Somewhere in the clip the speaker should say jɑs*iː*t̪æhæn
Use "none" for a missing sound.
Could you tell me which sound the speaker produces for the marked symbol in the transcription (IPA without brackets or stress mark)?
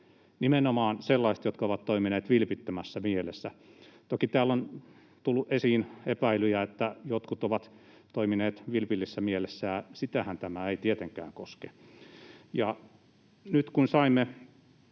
i